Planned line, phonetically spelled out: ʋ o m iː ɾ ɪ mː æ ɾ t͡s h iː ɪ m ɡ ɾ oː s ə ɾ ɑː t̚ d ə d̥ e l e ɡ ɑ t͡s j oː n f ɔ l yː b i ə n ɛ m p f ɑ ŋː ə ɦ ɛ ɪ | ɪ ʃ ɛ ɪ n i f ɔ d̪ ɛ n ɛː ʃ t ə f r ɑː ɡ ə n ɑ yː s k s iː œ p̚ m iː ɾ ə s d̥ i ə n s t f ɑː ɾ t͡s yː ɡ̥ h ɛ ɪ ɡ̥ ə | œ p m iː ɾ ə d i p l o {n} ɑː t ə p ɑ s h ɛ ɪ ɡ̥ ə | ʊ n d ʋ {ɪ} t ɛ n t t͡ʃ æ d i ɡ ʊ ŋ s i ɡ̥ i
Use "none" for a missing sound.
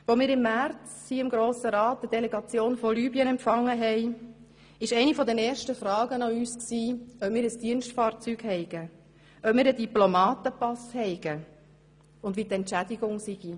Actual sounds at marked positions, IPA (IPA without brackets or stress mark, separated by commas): m, i